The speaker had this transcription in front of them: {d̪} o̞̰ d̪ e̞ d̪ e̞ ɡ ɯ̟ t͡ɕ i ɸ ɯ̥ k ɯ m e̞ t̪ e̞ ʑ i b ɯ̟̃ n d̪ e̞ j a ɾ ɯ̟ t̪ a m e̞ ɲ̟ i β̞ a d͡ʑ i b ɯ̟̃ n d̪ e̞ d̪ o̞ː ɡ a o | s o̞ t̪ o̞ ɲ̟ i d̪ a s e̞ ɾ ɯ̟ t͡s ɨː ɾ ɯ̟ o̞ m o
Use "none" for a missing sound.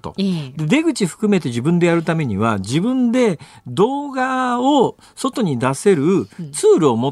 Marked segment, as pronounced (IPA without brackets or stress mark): t̪